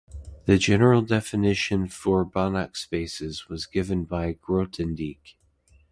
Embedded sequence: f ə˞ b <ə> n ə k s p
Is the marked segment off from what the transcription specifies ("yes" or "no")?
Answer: yes